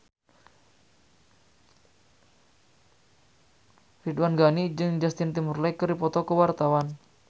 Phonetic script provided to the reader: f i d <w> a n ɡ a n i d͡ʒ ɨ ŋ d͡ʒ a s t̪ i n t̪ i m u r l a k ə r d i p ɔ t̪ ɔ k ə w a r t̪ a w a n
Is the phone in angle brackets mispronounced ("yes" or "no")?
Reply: no